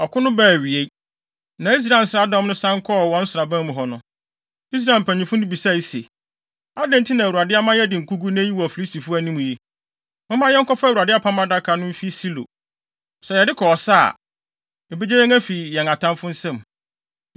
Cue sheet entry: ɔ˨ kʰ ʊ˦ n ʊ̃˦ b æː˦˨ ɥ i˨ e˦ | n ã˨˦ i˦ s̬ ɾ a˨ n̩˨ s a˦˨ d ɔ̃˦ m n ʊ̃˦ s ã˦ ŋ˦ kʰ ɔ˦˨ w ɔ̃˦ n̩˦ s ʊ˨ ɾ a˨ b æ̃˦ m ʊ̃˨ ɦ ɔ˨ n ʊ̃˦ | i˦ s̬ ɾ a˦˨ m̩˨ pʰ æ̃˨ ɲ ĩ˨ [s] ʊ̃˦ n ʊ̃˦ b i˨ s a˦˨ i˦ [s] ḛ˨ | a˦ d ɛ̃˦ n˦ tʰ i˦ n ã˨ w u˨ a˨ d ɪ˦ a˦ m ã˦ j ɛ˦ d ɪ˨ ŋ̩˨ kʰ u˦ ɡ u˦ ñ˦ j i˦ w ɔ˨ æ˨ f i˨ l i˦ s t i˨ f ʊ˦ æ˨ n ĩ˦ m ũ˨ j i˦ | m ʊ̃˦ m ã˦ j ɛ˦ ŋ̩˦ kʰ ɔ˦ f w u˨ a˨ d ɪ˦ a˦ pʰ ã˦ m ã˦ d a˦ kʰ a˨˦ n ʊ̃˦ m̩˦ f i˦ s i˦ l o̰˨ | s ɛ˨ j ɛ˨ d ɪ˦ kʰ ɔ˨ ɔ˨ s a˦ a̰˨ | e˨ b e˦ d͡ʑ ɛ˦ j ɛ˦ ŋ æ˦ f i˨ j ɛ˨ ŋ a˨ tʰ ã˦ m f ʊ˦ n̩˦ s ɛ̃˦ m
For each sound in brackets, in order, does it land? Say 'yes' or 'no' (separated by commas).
no, yes